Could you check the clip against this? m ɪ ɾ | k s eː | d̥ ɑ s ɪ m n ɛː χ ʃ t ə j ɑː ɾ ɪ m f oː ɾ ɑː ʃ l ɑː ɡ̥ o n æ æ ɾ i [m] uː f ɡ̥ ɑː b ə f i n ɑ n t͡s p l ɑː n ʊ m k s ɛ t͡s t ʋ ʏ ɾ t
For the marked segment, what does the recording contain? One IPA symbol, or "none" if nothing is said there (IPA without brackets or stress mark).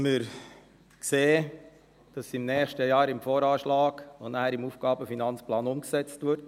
m